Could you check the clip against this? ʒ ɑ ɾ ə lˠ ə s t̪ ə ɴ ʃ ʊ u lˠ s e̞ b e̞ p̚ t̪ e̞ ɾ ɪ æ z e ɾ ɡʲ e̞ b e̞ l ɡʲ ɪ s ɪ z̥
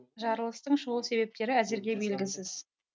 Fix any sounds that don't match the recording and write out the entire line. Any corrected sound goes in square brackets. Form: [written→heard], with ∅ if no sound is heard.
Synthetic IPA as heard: ʒ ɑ ɾ ə lˠ ə s t̪ ə ɴ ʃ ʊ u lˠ s e̞ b e̞ p̚ t̪ e̞ ɾ ɪ æ z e ɾ ɡʲ e̞ b e̞ l ɡʲ ɪ s ɪ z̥